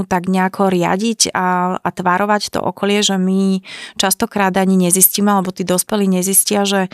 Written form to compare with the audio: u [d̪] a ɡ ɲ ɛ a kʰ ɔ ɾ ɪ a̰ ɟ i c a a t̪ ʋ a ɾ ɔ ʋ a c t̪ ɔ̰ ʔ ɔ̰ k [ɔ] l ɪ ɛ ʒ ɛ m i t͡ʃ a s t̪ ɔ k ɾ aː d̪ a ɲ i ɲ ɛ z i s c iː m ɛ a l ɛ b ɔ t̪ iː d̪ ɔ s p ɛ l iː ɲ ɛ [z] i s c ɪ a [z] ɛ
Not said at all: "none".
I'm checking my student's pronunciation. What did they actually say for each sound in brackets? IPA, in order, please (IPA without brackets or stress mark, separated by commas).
t̪, ɔ, z, ʒ